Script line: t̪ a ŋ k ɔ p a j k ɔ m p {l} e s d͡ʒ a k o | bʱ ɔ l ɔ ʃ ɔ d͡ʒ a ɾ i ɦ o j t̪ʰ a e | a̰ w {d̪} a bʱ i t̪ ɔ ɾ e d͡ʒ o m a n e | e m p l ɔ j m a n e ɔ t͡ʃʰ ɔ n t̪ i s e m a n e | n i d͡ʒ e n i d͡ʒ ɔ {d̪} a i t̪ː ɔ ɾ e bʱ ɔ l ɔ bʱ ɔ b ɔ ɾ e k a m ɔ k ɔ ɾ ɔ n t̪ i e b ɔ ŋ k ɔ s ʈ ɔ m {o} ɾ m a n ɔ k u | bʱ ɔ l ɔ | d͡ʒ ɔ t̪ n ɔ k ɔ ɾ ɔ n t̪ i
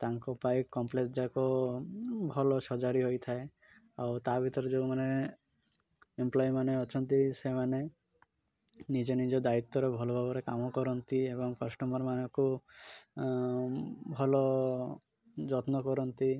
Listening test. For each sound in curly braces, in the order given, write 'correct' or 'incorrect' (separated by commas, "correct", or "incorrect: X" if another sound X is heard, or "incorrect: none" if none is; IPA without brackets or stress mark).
correct, incorrect: t̪, correct, incorrect: ɔ